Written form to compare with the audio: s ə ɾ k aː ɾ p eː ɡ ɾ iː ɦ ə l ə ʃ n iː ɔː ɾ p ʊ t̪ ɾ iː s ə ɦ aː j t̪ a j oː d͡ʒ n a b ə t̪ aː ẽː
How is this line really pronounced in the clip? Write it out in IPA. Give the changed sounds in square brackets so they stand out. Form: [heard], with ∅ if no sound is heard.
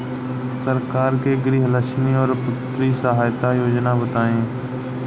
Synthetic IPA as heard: s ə ɾ k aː ɾ [k] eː ɡ ɾ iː ɦ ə l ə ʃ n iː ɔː ɾ p ʊ t̪ ɾ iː s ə ɦ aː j t̪ a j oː d͡ʒ n a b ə t̪ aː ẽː